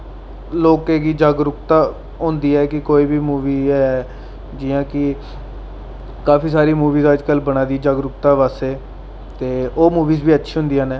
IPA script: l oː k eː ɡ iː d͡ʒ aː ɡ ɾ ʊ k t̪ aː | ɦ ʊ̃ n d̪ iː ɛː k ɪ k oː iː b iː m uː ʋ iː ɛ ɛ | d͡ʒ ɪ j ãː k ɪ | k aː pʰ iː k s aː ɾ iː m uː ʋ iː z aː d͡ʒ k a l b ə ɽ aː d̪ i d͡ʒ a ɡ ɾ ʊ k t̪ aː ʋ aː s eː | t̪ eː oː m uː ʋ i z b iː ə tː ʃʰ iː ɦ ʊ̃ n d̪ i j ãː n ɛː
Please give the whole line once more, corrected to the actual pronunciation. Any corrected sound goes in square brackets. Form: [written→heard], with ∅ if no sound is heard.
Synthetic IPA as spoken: l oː k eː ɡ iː d͡ʒ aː ɡ ɾ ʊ k t̪ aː | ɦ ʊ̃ n d̪ iː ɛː k ɪ k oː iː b iː m uː ʋ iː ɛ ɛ | d͡ʒ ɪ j ãː k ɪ | k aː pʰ iː [k→∅] s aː ɾ iː m uː ʋ iː z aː d͡ʒ k [a→ə] l b ə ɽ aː d̪ i d͡ʒ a ɡ ɾ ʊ k t̪ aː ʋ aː s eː | t̪ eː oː m uː ʋ [i→iː] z b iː ə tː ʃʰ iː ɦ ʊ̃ n d̪ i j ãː n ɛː